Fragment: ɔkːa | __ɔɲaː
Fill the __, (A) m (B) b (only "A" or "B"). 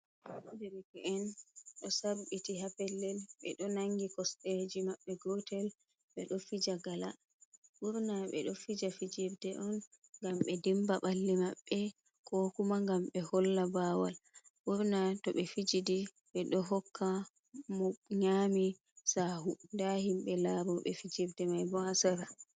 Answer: A